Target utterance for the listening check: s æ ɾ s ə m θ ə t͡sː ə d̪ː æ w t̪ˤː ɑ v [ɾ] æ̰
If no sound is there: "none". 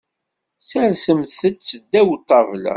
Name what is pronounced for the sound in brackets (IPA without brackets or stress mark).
l